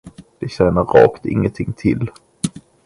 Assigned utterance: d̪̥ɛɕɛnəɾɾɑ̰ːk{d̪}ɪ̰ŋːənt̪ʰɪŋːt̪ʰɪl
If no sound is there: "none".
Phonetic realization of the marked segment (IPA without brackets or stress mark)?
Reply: t̪